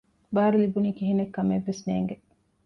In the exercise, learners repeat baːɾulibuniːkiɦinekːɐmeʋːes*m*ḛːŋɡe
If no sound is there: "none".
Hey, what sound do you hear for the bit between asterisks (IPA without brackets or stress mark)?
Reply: n